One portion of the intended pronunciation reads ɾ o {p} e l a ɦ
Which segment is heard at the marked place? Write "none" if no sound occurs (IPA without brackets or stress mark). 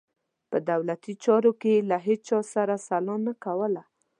k